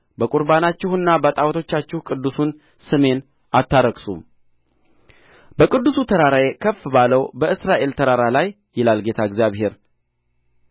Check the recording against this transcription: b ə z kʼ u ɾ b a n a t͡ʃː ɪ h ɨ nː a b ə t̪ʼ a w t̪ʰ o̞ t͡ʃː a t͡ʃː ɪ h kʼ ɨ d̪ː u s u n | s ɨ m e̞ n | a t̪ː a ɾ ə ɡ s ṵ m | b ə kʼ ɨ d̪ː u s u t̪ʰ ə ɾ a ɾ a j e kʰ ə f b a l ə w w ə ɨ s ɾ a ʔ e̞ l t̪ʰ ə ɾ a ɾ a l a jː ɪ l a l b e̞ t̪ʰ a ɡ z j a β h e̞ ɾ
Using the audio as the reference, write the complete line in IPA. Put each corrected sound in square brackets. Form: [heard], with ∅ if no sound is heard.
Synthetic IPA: b ə [∅] kʼ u ɾ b a n a t͡ʃː ɪ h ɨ nː a b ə t̪ʼ a w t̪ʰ o̞ t͡ʃː a t͡ʃː ɪ h kʼ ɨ d̪ː u s u n | s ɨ m e̞ n | a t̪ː a ɾ ə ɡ s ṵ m | b ə kʼ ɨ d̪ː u s u t̪ʰ ə ɾ a ɾ a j e kʰ ə f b a l ə w [b] ə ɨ s ɾ a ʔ e̞ l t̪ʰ ə ɾ a ɾ a l a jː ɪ l a l [ɡ] e̞ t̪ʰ a ɡ z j a β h e̞ ɾ